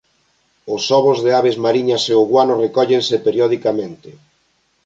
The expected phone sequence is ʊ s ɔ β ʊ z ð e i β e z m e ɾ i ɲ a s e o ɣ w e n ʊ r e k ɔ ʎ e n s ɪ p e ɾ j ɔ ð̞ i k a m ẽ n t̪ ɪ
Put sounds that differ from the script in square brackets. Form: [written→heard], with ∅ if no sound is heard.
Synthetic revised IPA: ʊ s ɔ β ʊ z ð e [i→a] β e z m [e→a] ɾ i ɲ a s e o ɣ w [e→a] n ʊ r e k ɔ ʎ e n s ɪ p e ɾ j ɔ ð̞ i k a m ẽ n t̪ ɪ